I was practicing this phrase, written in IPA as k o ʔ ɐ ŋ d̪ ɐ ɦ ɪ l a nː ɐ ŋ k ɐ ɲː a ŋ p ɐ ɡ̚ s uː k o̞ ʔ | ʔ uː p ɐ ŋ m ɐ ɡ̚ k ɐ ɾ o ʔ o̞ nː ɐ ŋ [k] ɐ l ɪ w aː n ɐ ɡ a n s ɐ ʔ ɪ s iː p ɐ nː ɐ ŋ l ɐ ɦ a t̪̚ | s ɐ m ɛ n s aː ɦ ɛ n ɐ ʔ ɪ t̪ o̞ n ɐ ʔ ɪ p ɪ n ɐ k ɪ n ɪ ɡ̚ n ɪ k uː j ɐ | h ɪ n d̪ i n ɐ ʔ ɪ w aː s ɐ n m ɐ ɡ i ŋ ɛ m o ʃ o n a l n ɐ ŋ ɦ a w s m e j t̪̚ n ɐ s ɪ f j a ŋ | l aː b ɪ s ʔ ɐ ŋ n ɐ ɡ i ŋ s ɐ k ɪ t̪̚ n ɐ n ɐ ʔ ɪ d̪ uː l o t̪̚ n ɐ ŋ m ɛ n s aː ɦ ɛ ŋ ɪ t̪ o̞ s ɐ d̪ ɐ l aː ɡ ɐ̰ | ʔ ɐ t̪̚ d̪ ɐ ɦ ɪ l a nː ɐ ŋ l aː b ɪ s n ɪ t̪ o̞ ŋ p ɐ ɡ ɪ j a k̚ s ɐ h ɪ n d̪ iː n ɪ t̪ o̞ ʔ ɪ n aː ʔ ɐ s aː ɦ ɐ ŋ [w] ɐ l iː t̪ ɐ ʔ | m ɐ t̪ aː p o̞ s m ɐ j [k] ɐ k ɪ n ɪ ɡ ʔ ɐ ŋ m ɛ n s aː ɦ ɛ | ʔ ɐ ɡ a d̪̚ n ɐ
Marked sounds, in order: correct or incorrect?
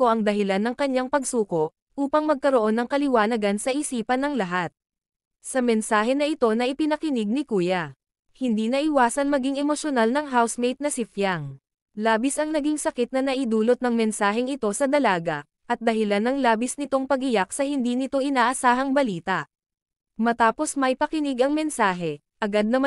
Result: correct, incorrect, incorrect

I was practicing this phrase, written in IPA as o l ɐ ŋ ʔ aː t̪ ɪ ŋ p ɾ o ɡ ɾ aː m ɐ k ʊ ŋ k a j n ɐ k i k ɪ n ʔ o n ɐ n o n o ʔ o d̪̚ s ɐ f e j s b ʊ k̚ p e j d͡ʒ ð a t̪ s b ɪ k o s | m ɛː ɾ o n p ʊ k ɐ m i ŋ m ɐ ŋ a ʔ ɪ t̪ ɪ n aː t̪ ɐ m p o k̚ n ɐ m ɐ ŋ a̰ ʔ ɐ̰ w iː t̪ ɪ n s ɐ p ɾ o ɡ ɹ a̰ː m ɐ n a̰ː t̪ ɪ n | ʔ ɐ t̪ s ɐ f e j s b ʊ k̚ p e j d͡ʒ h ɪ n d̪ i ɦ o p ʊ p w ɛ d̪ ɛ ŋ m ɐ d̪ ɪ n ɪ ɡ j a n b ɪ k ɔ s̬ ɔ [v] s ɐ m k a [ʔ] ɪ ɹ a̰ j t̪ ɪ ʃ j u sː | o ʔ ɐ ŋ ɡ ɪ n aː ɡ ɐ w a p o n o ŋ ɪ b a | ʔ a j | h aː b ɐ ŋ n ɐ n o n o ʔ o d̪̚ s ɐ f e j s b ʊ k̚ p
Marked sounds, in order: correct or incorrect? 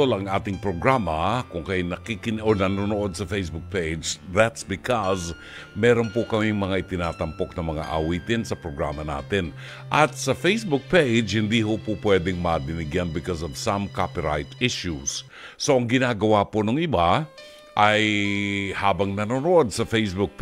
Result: correct, incorrect

